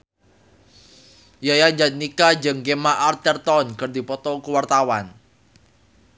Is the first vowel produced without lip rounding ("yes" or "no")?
yes